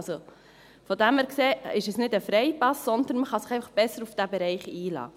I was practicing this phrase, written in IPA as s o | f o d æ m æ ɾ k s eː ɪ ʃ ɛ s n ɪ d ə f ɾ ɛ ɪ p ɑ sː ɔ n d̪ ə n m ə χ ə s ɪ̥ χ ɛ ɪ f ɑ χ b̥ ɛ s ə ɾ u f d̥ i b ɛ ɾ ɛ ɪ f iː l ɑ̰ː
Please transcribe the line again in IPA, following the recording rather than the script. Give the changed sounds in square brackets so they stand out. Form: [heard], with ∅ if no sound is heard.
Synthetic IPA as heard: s o | f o d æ m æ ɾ k s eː ɪ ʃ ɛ s n ɪ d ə f ɾ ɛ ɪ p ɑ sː ɔ n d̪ ə n m ə χ [ɑ] s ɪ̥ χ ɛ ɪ f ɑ χ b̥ ɛ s ə ɾ u f d̥ [æ] b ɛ ɾ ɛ ɪ [χ] iː l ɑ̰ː